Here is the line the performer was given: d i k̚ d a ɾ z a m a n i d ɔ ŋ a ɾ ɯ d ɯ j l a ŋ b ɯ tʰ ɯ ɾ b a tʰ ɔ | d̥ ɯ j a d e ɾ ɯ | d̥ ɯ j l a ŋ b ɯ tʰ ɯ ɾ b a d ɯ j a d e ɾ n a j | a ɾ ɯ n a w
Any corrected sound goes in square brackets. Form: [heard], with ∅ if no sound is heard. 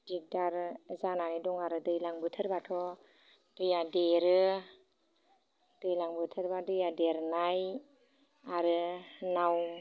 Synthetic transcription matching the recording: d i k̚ d a ɾ z a [n] a n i d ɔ ŋ a ɾ ɯ d ɯ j l a ŋ b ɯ tʰ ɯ ɾ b a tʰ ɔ | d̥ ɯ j a d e ɾ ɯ | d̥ ɯ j l a ŋ b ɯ tʰ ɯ ɾ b a d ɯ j a d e ɾ n a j | a ɾ ɯ n a w

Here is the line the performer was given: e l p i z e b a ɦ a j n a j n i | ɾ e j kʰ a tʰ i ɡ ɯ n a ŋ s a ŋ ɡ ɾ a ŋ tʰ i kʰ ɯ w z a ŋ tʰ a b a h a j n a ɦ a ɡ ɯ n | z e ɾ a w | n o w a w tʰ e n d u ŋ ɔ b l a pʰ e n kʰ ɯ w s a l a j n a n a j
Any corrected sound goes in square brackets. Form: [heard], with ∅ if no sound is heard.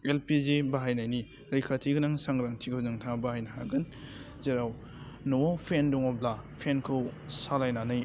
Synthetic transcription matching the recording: e l p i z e b a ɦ a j n a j n i | ɾ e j kʰ a tʰ i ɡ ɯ n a ŋ s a ŋ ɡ ɾ a ŋ tʰ i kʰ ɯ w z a ŋ tʰ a b a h a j n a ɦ a ɡ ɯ n | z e ɾ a w | n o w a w [pʰ] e n d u ŋ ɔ b l a pʰ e n kʰ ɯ w s a l a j n a n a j

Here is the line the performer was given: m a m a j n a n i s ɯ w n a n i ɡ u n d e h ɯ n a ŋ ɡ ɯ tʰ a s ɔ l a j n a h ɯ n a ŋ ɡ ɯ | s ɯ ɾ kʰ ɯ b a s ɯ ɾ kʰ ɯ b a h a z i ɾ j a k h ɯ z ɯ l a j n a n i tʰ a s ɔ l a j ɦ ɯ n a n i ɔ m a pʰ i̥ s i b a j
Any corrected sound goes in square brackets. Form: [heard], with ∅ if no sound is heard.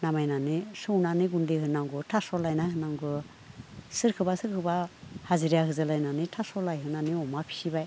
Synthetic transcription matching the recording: [n] a m a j n a n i s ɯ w n a n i ɡ u n d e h ɯ n a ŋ ɡ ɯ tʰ a s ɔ l a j n a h ɯ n a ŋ ɡ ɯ | s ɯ ɾ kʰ ɯ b a s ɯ ɾ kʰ ɯ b a h a z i ɾ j a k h ɯ z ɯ l a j n a n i tʰ a s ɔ l a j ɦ ɯ n a n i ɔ m a pʰ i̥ s i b a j

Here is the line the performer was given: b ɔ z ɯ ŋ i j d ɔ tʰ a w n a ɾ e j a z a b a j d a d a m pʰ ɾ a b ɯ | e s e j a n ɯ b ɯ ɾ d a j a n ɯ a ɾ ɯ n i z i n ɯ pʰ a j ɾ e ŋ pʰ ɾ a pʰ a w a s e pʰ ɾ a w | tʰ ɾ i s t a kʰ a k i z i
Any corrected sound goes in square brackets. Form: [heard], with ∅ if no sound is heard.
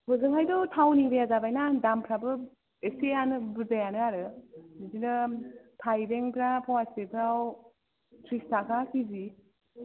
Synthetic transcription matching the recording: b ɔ z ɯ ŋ [a] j d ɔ tʰ a w n [i] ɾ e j a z a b a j [n] a d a m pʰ ɾ a b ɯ | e s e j a n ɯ b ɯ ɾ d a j a n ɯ a ɾ ɯ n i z i n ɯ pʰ a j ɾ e ŋ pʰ ɾ a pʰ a w a s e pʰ ɾ a w | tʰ ɾ i s t a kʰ a k i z i

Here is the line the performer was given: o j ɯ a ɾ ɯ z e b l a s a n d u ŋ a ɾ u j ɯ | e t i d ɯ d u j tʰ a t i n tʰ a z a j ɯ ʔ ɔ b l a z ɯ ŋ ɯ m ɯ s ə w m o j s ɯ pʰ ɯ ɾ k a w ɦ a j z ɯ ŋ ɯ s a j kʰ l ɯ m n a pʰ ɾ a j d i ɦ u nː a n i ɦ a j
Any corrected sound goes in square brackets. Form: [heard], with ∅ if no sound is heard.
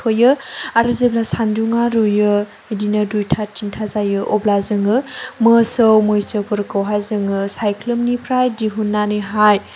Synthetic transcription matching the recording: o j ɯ a ɾ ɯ z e b l a s a n d u ŋ a ɾ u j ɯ | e [d] i [n] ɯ d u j tʰ a t i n tʰ a z a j ɯ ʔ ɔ b l a z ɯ ŋ ɯ m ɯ s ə w m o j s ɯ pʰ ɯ ɾ k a w ɦ a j z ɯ ŋ ɯ s a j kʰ l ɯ m n [i] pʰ ɾ a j d i ɦ u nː a n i ɦ a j

